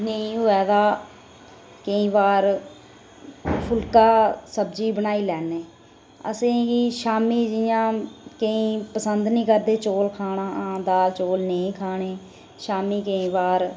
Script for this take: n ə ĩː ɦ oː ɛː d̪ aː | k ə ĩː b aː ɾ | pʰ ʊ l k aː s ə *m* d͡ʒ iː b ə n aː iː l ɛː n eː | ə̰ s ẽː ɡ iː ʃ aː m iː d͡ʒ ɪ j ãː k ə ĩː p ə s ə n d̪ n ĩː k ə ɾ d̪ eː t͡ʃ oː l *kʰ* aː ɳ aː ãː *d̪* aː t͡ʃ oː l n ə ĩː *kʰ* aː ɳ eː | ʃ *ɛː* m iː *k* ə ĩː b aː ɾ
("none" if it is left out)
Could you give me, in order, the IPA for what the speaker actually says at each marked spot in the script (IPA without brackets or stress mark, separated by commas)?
b, kʰ, d̪, kʰ, aː, k